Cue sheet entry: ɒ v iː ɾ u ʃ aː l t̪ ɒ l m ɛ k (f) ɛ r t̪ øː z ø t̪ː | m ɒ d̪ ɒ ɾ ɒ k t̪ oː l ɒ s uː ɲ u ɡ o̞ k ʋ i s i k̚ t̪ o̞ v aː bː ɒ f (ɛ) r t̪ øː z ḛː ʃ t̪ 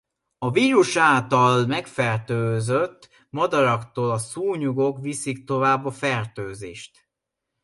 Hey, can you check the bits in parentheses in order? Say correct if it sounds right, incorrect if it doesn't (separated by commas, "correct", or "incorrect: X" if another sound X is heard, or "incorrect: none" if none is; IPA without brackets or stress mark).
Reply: correct, correct